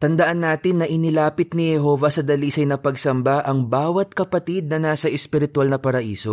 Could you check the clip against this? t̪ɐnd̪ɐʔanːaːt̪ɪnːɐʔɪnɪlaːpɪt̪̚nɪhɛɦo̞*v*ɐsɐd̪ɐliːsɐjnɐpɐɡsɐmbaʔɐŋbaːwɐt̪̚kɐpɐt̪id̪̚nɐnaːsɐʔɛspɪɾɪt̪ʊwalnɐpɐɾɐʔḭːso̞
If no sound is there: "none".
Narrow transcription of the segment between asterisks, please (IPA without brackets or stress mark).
v